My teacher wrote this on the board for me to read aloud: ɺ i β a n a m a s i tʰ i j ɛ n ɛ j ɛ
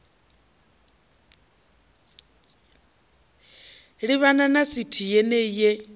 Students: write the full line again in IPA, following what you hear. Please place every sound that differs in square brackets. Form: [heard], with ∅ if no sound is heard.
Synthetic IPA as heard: ɺ i β a n a [n] a s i tʰ i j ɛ n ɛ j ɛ